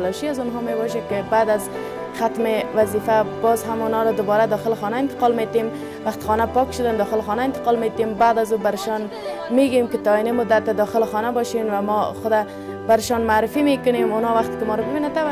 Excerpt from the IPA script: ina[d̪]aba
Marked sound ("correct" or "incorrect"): incorrect